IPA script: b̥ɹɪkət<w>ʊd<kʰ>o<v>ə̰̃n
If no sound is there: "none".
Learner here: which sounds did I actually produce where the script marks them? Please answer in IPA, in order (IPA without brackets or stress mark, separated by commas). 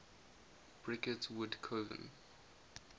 w, kʰ, v